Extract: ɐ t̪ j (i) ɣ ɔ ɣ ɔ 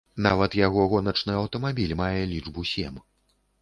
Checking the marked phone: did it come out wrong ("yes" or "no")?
yes